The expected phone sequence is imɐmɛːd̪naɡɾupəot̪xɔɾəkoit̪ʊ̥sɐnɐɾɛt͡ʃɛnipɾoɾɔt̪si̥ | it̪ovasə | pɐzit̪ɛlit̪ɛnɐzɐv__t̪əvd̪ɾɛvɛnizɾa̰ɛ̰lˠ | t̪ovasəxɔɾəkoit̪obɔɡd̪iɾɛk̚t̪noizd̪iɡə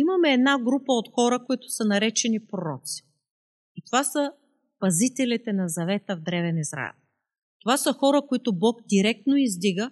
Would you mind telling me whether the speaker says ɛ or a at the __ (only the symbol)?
ɛ